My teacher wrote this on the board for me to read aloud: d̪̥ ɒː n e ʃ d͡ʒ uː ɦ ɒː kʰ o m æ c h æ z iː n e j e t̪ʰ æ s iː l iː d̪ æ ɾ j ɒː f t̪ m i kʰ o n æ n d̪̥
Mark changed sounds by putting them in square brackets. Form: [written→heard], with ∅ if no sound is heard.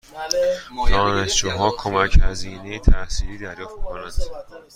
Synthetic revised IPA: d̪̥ ɒː n e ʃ d͡ʒ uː ɦ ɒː kʰ o m æ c h æ z iː n e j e t̪ʰ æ s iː l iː d̪ æ ɾ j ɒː f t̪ m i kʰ o n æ n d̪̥

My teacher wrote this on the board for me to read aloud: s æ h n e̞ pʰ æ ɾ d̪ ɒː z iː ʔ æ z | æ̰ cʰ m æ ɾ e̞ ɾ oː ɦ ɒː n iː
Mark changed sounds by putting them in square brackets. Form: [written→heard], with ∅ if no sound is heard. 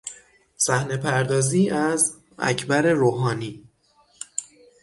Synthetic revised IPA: s æ h n e̞ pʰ æ ɾ d̪ ɒː z iː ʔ æ z | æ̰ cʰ [m→b] æ ɾ e̞ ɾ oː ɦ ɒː n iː

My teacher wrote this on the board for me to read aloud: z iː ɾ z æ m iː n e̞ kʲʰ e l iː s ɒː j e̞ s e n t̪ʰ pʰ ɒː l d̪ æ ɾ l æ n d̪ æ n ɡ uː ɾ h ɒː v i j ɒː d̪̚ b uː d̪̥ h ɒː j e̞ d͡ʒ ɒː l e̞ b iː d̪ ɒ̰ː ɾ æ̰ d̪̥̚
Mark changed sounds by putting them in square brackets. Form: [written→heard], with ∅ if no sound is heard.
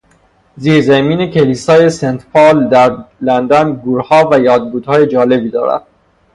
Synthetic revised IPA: z iː ɾ z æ m iː n e̞ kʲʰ e l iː s ɒː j e̞ s e n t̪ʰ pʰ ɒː l d̪ æ ɾ l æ n d̪ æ n ɡ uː ɾ h ɒː v [i→æ] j ɒː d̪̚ b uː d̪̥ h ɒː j e̞ d͡ʒ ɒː l e̞ b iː d̪ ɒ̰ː ɾ æ̰ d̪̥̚

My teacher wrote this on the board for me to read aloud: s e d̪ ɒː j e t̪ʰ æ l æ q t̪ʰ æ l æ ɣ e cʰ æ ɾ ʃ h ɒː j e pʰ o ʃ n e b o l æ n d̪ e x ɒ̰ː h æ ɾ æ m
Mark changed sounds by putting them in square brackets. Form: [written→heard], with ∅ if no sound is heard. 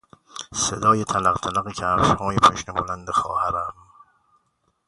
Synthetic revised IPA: s e d̪ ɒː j e t̪ʰ æ l æ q t̪ʰ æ l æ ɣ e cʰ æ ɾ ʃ h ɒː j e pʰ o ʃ n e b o l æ n d̪ e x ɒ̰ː h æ ɾ æ m

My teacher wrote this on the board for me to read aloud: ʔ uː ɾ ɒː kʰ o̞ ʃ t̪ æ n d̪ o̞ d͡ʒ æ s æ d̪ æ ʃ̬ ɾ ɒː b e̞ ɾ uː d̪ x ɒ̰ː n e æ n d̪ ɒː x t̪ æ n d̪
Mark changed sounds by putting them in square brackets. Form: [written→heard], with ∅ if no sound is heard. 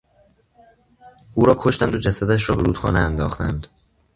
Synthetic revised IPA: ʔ uː ɾ ɒː kʰ o̞ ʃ t̪ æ n d̪ o̞ d͡ʒ æ s æ d̪ æ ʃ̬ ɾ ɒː b e̞ ɾ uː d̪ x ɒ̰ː n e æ n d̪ ɒː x t̪ æ n d̪

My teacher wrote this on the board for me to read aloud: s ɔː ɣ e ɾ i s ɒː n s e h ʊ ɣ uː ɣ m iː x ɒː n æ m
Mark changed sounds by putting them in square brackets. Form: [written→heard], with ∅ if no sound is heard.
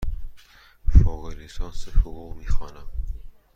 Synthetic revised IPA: [s→f] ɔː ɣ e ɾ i s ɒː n s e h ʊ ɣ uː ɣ m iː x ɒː n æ m

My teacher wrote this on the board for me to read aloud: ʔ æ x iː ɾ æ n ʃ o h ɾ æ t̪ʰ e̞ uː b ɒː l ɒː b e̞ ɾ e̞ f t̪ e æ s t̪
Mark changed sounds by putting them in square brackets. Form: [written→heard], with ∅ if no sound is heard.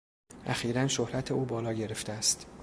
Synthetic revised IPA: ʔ æ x iː ɾ æ n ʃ o h ɾ æ t̪ʰ e̞ uː b ɒː l ɒː [b→ɟ] e̞ ɾ e̞ f t̪ e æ s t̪

